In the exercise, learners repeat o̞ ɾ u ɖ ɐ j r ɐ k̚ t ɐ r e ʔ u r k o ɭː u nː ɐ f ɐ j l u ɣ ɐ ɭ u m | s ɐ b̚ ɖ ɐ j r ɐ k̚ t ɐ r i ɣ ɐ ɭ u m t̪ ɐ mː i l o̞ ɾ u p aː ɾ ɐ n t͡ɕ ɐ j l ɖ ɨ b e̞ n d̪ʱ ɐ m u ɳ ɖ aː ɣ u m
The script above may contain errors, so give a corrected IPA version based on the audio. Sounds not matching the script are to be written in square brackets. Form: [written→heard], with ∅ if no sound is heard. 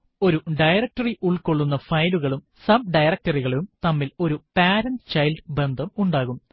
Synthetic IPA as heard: o̞ ɾ u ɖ ɐ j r ɐ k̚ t ɐ r [e→i] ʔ u [r→ɭ] k o ɭː u nː ɐ f ɐ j l u ɣ ɐ ɭ u m | s ɐ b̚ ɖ ɐ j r ɐ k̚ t ɐ r i ɣ ɐ ɭ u m t̪ ɐ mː i l o̞ ɾ u p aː ɾ ɐ n t͡ɕ ɐ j l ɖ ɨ b e̞ n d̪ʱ ɐ m u ɳ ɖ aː ɣ u m